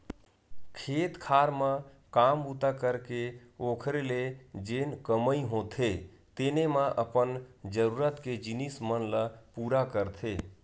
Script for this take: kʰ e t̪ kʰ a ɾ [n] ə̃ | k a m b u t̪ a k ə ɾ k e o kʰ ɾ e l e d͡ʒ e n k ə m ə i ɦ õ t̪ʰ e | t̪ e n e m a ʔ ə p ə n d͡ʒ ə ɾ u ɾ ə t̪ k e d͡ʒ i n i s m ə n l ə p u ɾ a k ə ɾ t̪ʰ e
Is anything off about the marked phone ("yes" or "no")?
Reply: yes